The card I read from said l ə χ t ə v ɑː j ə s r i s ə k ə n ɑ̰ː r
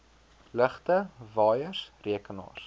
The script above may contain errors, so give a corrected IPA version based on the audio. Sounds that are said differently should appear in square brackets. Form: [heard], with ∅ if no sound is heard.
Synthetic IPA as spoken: l ə χ t ə v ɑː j ə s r i [∅] ə k ə n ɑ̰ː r